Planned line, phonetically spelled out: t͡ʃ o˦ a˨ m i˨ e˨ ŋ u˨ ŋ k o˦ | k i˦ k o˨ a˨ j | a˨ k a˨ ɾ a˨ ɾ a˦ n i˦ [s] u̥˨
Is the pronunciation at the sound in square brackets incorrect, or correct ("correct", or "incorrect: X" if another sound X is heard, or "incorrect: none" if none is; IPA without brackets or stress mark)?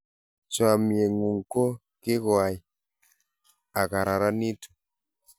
incorrect: t